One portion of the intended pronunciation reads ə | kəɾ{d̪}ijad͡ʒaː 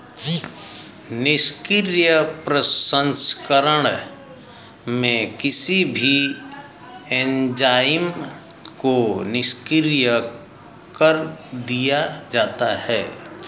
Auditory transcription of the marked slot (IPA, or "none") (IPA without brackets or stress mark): d̪